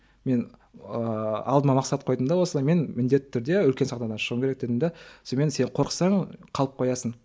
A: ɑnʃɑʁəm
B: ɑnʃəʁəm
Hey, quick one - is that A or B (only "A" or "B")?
B